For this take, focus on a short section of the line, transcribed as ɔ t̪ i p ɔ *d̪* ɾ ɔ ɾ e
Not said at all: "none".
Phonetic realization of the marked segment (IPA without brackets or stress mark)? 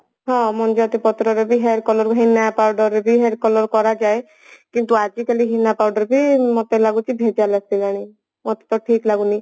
t̪